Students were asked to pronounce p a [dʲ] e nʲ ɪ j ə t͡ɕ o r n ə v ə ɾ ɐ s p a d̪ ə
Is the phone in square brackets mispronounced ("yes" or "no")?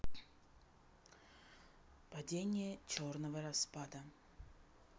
no